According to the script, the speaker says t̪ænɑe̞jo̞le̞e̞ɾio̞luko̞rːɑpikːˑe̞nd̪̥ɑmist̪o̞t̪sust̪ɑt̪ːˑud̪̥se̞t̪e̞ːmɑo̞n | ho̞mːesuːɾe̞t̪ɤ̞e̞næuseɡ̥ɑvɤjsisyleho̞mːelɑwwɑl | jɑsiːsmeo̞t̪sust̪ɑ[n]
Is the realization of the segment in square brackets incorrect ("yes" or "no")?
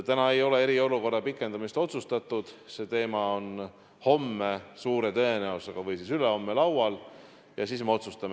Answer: yes